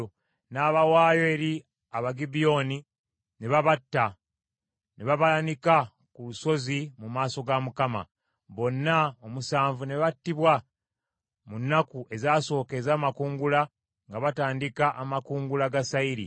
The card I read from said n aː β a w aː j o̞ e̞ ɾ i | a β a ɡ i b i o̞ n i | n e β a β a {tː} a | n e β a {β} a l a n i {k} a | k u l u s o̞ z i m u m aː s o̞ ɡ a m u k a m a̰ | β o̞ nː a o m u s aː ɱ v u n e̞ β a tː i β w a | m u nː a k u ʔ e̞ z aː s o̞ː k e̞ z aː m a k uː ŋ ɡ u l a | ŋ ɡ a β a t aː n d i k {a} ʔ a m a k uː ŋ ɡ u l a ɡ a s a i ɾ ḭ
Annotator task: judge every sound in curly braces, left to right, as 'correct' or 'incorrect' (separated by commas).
correct, correct, correct, correct